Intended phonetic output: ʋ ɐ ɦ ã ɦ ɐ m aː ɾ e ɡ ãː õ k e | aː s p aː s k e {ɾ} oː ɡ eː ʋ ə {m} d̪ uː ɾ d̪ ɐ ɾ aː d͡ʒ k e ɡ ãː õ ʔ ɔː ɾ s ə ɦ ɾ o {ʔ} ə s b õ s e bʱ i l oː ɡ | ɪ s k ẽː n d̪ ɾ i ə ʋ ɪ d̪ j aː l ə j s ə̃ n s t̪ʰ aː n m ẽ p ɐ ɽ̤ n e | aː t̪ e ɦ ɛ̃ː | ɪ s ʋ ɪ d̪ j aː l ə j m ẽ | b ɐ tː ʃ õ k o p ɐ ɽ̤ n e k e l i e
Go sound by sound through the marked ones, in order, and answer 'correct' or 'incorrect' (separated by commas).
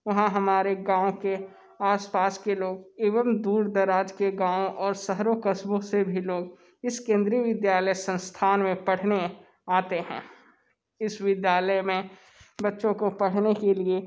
incorrect, correct, incorrect